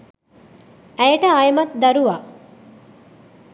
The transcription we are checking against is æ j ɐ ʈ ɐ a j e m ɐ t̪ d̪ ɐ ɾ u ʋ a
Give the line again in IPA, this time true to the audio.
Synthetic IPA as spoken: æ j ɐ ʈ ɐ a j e m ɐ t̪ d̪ ɐ ɾ u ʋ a